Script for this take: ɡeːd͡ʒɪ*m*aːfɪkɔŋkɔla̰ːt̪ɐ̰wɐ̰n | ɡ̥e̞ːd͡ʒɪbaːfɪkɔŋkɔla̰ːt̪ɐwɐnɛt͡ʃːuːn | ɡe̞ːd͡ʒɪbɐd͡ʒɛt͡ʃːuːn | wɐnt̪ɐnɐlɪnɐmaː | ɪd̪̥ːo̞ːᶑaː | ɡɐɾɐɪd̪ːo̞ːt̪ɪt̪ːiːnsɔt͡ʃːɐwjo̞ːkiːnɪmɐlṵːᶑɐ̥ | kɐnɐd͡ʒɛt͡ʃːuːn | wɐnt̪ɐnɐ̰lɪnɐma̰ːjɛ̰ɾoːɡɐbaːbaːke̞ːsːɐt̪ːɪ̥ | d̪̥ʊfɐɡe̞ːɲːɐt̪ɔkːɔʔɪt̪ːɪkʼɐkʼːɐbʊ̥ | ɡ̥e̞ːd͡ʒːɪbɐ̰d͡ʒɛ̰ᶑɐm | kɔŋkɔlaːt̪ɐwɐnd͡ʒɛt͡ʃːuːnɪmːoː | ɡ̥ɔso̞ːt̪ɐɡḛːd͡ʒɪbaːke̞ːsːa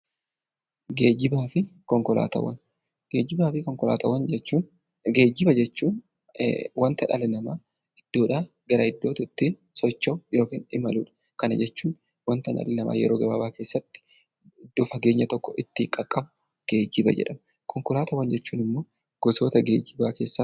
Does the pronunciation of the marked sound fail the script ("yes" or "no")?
yes